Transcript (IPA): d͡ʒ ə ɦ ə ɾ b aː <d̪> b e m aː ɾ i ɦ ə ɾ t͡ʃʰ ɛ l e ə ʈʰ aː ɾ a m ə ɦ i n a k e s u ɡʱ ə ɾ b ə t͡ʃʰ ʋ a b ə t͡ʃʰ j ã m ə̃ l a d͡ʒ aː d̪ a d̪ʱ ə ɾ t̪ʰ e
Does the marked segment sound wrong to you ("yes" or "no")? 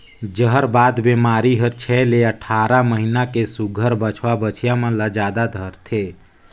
no